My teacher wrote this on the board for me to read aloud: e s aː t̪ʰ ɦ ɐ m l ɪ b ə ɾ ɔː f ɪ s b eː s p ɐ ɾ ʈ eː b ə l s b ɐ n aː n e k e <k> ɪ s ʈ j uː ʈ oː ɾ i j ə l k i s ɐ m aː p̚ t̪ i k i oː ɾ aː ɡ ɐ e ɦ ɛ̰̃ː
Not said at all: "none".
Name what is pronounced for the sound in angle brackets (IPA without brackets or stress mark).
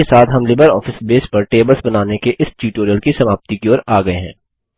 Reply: ʔ